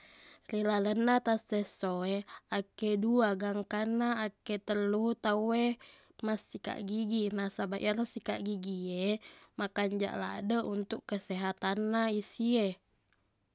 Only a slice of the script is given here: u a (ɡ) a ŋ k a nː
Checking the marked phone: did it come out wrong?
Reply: no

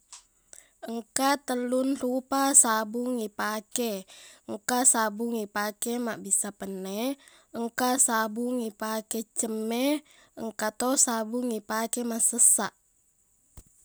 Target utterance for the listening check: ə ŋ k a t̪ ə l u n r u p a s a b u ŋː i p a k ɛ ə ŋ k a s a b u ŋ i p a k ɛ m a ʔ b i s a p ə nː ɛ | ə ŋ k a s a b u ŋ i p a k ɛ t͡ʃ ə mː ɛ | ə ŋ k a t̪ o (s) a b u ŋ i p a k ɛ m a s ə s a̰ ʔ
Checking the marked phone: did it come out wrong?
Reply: no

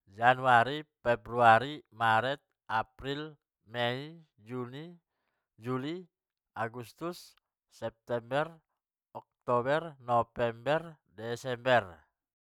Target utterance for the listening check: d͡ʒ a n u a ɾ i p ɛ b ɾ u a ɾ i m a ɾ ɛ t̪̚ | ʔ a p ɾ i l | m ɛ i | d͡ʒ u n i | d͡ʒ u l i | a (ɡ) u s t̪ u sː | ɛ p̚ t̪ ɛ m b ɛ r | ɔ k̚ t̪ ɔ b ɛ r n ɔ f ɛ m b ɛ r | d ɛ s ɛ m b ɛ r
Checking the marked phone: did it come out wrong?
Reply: no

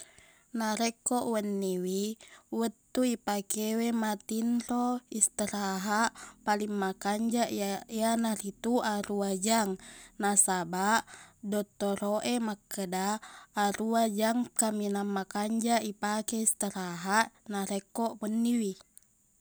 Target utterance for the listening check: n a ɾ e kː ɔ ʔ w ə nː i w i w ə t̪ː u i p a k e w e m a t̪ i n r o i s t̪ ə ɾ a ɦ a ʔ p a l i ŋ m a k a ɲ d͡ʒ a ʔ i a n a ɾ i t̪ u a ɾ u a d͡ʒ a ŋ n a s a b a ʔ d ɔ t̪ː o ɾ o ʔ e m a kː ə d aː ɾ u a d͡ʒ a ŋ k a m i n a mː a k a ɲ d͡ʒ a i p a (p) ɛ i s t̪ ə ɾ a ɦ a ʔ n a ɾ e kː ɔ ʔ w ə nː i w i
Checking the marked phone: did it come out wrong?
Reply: yes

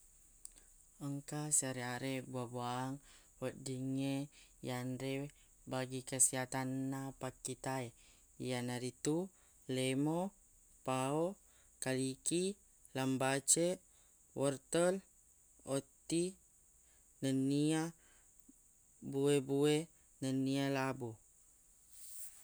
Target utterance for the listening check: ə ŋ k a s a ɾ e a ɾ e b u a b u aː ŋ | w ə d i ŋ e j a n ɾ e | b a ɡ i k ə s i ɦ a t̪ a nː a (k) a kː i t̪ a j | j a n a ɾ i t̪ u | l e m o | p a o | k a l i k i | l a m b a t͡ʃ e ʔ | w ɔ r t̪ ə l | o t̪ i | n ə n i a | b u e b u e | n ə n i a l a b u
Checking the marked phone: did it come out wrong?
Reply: yes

